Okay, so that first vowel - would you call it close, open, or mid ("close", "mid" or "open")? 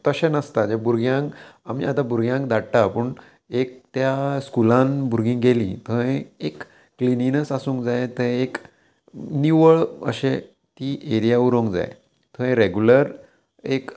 mid